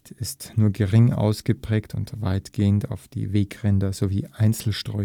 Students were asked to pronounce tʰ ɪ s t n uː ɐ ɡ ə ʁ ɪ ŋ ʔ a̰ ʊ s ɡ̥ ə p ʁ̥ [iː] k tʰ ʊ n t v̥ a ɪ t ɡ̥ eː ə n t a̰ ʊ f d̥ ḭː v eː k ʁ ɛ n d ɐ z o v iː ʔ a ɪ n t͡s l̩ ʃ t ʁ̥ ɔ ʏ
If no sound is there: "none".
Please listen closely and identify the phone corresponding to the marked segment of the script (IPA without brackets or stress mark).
ɛː